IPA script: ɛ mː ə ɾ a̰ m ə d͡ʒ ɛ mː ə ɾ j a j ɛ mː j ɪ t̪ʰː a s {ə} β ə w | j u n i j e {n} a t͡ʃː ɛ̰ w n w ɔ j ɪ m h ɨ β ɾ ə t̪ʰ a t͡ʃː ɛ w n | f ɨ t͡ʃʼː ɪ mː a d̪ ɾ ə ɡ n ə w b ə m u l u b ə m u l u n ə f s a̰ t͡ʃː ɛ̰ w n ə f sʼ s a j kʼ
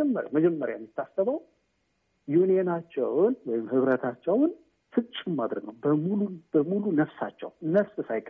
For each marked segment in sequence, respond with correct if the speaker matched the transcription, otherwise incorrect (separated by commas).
correct, correct